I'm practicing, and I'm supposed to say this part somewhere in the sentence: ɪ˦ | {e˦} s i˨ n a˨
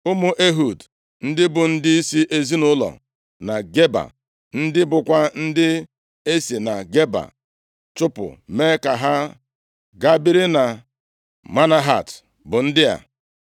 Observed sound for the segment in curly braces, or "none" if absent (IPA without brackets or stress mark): e˦